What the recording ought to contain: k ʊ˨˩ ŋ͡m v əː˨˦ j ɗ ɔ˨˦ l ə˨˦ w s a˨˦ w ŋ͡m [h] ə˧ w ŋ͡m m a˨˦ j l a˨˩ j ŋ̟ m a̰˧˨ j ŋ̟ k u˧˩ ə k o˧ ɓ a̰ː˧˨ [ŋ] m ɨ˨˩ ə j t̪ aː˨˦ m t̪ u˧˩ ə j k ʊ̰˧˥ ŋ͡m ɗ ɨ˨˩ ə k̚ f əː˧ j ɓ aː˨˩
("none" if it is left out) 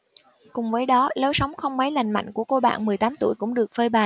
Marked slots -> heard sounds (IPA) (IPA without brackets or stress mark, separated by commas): x, n